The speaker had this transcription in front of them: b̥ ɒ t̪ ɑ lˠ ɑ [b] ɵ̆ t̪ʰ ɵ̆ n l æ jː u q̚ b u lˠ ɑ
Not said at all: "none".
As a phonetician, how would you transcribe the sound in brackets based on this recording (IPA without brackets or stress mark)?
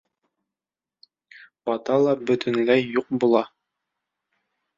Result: b